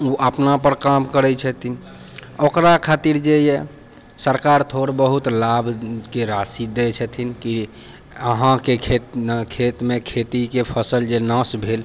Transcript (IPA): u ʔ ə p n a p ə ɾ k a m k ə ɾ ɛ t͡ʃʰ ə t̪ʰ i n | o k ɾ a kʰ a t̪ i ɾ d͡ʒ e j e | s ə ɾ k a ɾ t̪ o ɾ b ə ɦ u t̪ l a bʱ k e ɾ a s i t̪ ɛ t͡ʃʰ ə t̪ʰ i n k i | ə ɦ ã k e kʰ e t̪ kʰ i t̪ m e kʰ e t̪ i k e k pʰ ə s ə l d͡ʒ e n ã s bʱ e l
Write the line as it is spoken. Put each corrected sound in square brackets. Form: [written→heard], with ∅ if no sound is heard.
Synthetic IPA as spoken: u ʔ ə p n a p ə ɾ k a m k ə ɾ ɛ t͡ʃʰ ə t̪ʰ i n | o k ɾ a kʰ a t̪ i ɾ d͡ʒ e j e | s ə ɾ k a ɾ [t̪→t̪ʰ] o ɾ b ə ɦ u t̪ l a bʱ k e ɾ a s i [t̪→d̪] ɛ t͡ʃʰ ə t̪ʰ i n k i | ə ɦ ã k e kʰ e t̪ kʰ [i→e] t̪ m e kʰ e t̪ i k e [k→∅] pʰ ə s ə l d͡ʒ e n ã s bʱ e l